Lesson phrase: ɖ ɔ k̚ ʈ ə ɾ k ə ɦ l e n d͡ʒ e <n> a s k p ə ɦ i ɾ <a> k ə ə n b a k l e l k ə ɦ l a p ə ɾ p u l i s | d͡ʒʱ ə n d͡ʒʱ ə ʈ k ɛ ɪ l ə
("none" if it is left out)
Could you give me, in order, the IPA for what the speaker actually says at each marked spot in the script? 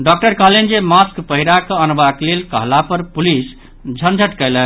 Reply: m, a

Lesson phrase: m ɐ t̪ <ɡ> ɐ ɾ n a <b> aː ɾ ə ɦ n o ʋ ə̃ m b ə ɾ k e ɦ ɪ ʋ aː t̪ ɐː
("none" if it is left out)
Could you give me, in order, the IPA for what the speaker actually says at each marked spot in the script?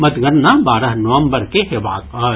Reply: ɡ, b

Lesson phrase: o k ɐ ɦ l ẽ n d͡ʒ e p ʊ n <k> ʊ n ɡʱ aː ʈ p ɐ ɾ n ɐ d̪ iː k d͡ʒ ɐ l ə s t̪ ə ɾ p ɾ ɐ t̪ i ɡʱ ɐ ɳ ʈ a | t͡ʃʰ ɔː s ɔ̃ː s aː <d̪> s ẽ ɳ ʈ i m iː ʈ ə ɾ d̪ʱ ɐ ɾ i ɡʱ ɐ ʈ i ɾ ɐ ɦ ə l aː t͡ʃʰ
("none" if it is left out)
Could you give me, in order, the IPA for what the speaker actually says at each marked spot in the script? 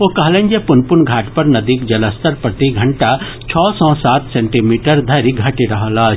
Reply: p, t̪

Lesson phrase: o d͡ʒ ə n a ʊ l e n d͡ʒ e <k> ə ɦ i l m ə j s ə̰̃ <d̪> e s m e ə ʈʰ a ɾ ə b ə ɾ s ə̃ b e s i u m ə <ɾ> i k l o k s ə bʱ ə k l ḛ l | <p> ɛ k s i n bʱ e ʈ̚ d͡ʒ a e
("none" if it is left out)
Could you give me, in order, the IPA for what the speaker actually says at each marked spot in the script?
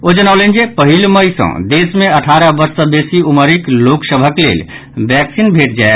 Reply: p, d̪, ɾ, b

